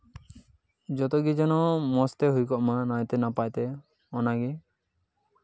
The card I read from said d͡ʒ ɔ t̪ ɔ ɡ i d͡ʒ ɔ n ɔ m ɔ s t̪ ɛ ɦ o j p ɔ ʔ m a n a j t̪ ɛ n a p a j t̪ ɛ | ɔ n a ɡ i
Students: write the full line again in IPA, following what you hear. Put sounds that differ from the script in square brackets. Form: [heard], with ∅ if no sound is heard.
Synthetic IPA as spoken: d͡ʒ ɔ t̪ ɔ ɡ i d͡ʒ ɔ n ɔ m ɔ s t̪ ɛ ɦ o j [k] ɔ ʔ m a n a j t̪ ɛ n a p a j t̪ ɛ | ɔ n a ɡ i